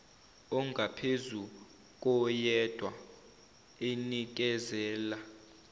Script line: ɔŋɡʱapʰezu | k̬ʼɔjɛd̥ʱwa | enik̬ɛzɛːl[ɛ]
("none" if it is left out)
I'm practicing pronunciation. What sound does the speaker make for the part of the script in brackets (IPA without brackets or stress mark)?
a